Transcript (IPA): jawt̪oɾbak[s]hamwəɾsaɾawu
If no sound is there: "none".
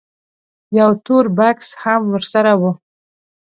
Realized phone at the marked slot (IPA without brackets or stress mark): s